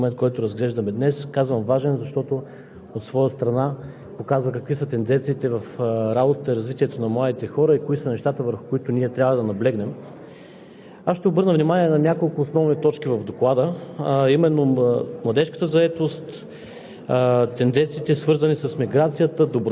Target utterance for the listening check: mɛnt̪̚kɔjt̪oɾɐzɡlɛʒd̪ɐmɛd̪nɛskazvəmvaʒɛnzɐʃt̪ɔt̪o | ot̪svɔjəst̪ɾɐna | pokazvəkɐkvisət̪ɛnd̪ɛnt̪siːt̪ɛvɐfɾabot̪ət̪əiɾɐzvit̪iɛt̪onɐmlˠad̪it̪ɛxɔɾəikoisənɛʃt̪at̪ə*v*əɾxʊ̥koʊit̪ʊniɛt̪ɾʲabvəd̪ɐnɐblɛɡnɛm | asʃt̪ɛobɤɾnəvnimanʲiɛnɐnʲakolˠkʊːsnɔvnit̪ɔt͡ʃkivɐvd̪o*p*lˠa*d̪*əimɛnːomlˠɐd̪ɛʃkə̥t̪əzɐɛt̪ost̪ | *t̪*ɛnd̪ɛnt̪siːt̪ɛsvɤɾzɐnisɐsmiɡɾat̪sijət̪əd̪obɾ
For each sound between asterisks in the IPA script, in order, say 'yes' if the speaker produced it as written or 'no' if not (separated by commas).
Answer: yes, no, yes, yes